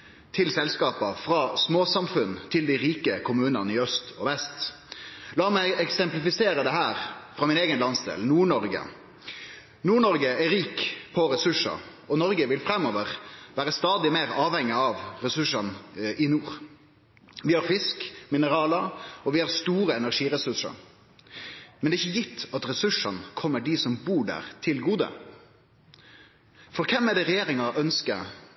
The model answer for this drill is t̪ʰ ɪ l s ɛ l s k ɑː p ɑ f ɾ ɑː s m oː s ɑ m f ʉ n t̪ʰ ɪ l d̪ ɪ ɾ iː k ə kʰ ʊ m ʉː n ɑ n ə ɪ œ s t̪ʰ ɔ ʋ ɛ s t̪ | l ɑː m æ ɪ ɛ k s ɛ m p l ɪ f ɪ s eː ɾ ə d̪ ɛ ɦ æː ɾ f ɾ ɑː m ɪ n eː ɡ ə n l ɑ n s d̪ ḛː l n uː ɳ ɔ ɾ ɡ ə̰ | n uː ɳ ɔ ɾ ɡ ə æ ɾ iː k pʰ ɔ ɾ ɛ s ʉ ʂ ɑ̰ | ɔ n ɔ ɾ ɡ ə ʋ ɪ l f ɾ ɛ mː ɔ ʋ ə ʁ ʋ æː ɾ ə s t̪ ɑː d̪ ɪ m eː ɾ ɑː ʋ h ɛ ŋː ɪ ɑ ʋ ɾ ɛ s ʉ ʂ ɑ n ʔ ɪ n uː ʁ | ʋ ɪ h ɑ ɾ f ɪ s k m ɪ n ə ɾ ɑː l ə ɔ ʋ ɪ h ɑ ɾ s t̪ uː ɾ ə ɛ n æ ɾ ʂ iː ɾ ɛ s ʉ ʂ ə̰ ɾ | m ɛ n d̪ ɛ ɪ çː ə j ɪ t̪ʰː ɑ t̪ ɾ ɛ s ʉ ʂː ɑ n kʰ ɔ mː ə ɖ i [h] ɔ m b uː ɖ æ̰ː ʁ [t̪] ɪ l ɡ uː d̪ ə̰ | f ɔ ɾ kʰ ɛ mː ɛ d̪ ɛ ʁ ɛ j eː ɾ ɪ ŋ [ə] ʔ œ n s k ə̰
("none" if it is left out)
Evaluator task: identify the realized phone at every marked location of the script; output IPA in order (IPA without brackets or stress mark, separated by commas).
s, t̪ʰ, ɑ